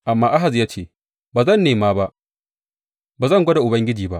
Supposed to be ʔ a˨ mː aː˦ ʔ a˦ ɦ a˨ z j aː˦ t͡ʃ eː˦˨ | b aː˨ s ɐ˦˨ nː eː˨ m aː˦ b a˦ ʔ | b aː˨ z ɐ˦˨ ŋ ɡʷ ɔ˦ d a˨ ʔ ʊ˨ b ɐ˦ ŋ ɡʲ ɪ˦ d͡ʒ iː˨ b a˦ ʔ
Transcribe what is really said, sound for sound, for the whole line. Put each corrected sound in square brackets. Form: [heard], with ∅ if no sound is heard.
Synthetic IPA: ʔ a˨ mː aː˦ ʔ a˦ ɦ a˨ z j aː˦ t͡ʃ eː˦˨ | b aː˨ [z] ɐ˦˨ nː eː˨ m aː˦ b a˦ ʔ | b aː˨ z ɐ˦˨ ŋ ɡʷ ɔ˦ d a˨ ʔ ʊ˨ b ɐ˦ ŋ ɡʲ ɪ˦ d͡ʒ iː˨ b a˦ ʔ